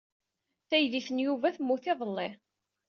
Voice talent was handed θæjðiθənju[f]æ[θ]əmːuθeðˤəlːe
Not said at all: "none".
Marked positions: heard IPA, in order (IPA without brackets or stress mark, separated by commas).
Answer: v, θ